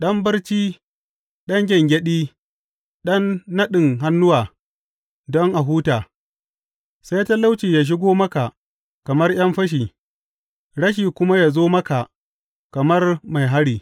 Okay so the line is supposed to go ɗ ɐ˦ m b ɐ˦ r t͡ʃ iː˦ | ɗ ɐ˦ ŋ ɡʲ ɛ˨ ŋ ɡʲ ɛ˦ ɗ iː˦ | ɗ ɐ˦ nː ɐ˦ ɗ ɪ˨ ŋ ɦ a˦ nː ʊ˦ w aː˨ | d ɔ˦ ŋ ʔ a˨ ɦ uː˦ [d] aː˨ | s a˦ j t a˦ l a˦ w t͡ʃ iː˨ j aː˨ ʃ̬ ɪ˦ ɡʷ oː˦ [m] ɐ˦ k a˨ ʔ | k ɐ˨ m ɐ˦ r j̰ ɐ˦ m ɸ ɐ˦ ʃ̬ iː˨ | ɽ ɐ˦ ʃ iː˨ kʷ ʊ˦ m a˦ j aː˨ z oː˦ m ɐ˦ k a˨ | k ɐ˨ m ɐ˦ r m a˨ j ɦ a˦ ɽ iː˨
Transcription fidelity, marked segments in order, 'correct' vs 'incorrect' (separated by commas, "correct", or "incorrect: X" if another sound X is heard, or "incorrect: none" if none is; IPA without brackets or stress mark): incorrect: t, correct